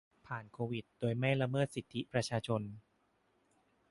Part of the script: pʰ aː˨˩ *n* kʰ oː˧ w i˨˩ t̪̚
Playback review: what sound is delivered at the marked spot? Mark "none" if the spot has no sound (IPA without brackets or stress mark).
n